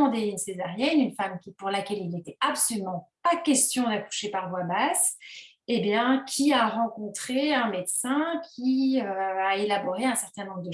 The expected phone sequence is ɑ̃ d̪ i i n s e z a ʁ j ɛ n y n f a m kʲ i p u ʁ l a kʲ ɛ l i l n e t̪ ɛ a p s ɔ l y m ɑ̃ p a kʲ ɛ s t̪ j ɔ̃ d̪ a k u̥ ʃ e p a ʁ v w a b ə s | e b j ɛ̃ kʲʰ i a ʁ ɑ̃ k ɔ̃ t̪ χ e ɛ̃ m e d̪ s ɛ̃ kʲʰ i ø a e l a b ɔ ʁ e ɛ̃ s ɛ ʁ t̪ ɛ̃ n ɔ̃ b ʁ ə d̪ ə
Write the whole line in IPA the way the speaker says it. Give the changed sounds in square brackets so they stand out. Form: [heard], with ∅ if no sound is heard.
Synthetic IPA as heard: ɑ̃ d̪ [e] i n s e z a ʁ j ɛ n y n f a m kʲ i p u ʁ l a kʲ ɛ l i l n e t̪ ɛ a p s ɔ l y m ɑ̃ p a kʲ ɛ s t̪ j ɔ̃ d̪ a k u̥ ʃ e p a ʁ v w a b [a] s | e b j ɛ̃ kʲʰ i a ʁ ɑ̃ k ɔ̃ t̪ χ e ɛ̃ m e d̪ s ɛ̃ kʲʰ i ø a e l a b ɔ ʁ e ɛ̃ s ɛ ʁ t̪ ɛ̃ n ɔ̃ b ʁ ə d̪ ə